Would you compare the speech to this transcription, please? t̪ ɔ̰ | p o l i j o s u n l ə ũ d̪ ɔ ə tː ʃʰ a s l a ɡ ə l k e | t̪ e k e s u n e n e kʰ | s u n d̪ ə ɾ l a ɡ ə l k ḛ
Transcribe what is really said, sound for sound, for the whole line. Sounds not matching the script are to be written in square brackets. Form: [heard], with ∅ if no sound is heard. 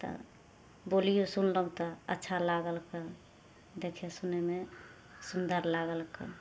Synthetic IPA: t̪ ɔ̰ | [b] o l i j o s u n l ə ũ [t̪] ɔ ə tː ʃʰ a [∅] l a ɡ ə l k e | [d̪] e [kʰ] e s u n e [m] e [∅] | s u n d̪ ə ɾ l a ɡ ə l k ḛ